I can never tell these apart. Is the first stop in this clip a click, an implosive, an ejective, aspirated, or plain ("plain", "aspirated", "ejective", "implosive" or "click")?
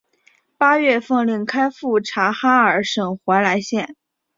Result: plain